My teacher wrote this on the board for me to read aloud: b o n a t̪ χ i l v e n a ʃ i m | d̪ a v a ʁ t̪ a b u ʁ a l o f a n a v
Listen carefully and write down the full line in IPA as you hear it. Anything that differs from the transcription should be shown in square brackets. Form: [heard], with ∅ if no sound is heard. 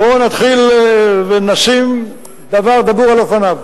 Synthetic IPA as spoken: b o n a t̪ χ i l v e n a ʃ i m | d̪ a v a ʁ [d̪] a b u ʁ a l o f a n a v